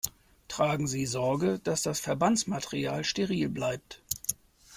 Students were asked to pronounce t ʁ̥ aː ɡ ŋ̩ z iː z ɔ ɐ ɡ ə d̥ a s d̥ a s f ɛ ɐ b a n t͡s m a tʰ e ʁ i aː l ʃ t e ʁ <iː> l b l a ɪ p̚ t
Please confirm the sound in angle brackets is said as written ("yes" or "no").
yes